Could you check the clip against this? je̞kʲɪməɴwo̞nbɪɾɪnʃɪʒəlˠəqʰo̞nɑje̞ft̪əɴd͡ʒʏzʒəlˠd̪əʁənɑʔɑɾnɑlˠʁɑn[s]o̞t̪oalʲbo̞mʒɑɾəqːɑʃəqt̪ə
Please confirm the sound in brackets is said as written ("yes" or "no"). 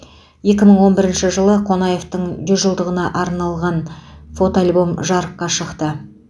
no